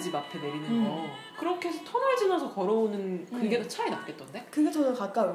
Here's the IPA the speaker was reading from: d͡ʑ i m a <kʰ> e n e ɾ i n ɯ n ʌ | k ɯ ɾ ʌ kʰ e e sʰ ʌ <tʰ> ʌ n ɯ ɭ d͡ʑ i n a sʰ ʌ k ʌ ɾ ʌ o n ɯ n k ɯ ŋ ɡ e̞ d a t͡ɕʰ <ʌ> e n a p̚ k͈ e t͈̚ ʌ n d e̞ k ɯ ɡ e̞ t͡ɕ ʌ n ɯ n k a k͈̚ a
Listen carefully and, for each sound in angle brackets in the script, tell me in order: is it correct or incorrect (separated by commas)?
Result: incorrect, correct, incorrect